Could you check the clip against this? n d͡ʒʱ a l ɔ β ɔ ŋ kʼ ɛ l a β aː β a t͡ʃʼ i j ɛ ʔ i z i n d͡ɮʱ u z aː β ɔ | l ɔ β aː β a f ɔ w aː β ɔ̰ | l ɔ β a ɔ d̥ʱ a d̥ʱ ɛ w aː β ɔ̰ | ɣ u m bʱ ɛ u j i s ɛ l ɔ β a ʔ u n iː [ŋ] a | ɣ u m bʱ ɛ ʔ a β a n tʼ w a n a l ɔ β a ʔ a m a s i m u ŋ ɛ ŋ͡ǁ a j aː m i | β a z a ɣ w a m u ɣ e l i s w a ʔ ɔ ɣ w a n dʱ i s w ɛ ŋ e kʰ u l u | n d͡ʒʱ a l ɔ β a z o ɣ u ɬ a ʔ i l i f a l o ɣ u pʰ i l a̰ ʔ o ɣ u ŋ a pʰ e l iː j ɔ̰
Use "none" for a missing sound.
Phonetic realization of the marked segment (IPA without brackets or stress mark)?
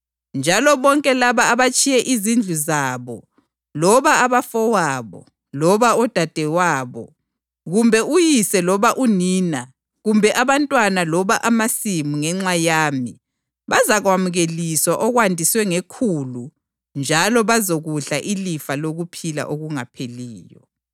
n